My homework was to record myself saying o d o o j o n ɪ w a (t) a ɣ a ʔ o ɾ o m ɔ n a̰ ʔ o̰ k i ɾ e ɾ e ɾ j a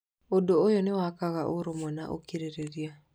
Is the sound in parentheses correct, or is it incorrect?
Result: incorrect